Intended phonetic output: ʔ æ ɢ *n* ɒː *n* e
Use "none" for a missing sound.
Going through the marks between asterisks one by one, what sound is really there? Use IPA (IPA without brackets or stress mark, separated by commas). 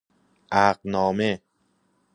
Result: n, m